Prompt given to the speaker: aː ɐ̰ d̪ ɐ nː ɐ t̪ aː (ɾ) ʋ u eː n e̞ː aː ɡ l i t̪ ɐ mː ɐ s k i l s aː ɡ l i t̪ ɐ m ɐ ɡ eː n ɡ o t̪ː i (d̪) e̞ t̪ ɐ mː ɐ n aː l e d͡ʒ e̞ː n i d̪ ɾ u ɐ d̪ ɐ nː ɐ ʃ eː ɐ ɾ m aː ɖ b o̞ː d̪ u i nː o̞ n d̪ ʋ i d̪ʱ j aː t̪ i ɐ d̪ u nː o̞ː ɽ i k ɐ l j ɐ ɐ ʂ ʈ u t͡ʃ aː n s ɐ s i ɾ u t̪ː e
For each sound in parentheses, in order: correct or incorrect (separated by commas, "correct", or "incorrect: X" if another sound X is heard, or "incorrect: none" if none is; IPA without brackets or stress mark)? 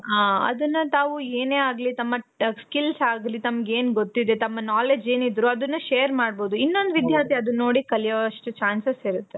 incorrect: none, correct